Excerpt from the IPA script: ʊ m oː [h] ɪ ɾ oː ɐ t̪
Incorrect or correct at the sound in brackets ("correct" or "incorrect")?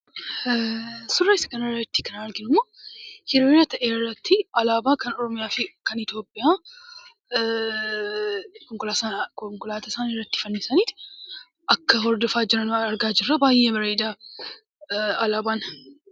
correct